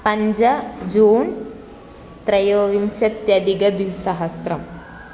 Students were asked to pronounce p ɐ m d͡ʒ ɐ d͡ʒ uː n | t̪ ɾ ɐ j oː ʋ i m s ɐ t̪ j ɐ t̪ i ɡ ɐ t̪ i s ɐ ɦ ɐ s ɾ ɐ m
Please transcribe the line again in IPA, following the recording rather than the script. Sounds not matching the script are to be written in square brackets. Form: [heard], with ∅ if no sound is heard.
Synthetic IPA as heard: p ɐ [ɲ] d͡ʒ ɐ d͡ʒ uː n | t̪ ɾ ɐ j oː ʋ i m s ɐ t̪ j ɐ [d̪] i ɡ ɐ [d̪] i s ɐ ɦ ɐ s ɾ ɐ m